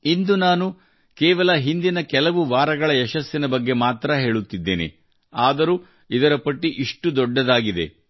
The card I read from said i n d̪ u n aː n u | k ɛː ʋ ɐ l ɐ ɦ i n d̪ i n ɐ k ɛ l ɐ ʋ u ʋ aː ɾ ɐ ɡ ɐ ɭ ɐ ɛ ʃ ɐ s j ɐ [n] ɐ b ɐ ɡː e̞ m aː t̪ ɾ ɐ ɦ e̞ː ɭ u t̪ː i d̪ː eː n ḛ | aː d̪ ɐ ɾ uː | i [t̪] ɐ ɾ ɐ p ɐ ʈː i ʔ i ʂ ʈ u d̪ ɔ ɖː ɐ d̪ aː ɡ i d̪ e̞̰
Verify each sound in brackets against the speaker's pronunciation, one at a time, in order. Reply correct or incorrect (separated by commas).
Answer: correct, incorrect